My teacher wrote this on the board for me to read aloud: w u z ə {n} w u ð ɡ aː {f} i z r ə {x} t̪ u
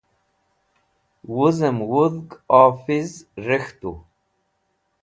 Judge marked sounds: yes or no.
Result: no, yes, yes

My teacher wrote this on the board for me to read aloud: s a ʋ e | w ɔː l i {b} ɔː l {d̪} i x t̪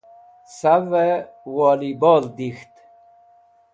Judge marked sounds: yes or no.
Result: yes, yes

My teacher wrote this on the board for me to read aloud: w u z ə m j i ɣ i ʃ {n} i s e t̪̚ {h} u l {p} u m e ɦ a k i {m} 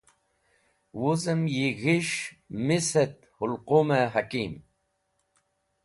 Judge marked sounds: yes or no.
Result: no, yes, no, yes

